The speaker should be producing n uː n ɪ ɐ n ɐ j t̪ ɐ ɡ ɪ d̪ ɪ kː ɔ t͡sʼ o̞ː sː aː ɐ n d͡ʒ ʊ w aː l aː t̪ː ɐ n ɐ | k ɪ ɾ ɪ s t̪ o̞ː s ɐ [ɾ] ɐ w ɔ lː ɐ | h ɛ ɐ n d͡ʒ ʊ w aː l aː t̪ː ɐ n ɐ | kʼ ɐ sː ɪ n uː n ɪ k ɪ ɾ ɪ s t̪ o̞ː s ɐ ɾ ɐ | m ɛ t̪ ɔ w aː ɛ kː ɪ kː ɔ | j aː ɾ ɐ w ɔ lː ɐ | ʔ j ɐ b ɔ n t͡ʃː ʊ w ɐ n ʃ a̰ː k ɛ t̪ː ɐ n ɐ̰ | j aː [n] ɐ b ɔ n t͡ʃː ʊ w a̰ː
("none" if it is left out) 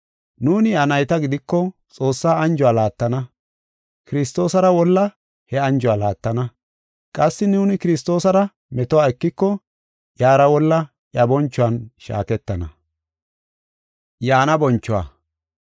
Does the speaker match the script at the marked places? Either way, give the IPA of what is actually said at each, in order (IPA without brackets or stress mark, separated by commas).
ɾ, n